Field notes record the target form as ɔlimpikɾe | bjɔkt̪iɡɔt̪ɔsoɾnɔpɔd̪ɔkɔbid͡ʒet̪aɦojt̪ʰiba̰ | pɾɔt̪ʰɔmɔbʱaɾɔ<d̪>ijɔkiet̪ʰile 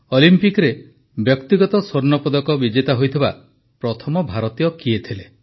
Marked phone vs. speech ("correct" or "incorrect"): incorrect